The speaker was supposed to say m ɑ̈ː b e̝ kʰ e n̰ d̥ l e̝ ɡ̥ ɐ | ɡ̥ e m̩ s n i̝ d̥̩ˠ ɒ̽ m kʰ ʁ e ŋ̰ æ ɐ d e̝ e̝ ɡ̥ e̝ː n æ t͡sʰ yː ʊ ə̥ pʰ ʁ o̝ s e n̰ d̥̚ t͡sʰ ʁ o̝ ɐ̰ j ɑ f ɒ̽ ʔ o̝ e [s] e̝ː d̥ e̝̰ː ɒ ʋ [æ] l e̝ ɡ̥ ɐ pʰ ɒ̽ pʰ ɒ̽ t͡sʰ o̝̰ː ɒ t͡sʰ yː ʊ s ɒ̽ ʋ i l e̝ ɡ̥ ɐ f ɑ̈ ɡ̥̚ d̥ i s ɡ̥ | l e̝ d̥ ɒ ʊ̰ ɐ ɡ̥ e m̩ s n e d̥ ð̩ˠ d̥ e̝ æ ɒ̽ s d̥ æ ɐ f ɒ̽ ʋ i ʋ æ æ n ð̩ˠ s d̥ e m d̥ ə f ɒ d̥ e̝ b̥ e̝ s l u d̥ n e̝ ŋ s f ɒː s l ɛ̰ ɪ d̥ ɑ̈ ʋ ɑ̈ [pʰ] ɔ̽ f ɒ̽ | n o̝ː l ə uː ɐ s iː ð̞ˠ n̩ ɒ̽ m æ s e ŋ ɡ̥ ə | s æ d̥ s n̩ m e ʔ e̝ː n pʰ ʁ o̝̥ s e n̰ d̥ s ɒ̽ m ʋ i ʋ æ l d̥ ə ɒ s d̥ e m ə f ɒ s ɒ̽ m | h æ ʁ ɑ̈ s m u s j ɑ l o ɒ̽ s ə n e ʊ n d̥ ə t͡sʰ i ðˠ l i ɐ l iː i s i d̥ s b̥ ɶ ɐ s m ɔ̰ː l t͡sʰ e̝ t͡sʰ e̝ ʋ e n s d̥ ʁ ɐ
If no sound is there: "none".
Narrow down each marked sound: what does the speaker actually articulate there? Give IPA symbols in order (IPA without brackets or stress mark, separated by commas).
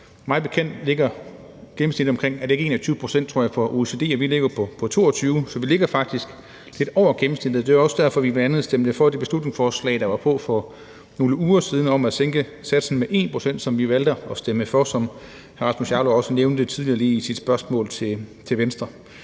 s, i, pʰ